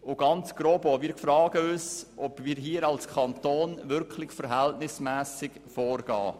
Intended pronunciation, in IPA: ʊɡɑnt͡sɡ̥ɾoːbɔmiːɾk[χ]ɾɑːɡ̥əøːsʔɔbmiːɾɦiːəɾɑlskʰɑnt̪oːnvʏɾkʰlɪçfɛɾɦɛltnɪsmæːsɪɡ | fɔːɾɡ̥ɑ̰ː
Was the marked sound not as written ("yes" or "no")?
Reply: yes